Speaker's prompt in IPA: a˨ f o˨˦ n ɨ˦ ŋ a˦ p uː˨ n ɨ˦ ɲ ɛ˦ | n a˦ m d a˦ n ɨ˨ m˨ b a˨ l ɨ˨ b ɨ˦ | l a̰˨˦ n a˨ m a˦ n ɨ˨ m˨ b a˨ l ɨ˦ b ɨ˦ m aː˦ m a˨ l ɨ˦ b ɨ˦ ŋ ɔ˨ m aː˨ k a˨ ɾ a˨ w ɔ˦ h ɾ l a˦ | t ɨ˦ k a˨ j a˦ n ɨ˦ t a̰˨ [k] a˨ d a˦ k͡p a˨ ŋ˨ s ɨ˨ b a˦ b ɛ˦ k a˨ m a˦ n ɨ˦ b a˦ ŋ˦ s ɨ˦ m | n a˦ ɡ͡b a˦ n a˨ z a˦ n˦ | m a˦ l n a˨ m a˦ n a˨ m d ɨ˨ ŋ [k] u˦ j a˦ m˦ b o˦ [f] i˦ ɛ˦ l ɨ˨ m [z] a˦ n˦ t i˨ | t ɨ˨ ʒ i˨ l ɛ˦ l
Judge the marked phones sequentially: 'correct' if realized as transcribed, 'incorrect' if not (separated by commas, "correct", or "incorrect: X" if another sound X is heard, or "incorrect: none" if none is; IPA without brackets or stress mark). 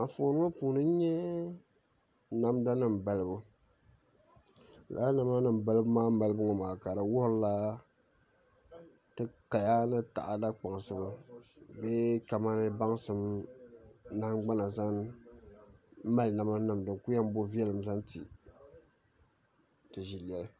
incorrect: ʔ, correct, incorrect: v, correct